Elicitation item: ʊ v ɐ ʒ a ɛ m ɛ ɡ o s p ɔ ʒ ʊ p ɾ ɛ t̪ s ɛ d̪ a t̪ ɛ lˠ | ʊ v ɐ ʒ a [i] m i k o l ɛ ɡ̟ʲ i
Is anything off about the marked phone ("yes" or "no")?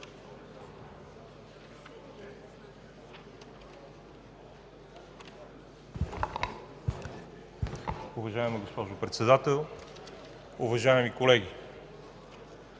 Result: yes